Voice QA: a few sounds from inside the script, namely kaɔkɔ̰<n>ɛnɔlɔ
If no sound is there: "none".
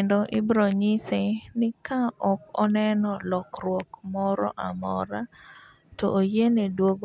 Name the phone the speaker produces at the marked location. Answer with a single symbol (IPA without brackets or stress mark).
n